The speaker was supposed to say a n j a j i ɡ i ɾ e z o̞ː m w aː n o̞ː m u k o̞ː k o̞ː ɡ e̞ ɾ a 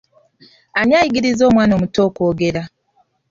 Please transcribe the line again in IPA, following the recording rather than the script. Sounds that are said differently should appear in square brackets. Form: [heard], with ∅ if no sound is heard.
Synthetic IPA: a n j a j i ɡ i ɾ [i] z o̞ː m w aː n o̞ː m u [t] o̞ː k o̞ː ɡ e̞ ɾ a